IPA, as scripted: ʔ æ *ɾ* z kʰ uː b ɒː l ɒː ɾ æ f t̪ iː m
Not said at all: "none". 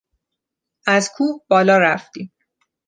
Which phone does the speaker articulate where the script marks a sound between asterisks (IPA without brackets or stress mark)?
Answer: none